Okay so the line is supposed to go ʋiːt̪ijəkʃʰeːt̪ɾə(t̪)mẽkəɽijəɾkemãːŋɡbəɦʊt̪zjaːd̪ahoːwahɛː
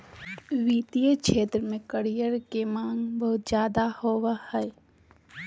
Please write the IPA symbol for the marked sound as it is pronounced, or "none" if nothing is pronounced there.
none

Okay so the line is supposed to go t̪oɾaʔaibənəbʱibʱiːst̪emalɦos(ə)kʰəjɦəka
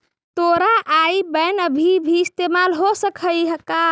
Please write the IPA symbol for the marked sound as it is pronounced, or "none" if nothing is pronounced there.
ə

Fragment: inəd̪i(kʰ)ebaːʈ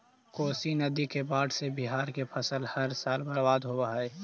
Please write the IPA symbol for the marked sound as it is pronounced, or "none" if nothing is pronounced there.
k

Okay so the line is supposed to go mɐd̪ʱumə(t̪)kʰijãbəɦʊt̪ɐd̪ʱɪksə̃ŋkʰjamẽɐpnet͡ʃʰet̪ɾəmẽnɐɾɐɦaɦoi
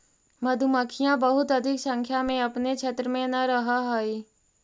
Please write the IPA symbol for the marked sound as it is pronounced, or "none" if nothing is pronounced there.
none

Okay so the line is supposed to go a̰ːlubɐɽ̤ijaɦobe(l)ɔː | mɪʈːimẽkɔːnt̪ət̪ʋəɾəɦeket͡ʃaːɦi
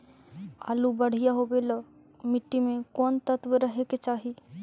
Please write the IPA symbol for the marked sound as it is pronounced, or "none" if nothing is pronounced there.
l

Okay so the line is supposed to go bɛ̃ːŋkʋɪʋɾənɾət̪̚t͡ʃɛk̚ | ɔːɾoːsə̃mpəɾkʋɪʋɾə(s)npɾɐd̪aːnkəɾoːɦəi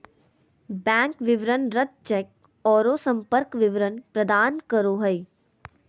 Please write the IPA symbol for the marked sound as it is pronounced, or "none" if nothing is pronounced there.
none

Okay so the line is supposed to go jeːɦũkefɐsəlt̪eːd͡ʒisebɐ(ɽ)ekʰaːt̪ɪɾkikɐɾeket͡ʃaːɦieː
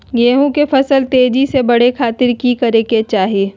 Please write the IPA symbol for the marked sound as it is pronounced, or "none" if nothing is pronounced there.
ɽ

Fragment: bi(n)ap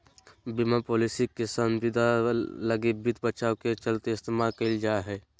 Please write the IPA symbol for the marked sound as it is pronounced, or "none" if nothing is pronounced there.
m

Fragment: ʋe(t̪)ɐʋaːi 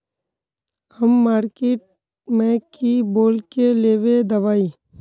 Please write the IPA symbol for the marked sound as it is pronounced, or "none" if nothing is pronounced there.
d̪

